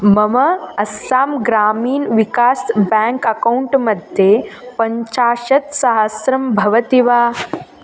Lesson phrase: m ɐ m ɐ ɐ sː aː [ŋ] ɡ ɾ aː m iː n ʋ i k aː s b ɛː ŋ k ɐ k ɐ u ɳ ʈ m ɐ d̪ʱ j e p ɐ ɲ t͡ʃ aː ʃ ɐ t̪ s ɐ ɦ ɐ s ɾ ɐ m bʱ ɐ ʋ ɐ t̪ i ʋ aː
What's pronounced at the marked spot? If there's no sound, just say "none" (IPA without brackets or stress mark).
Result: m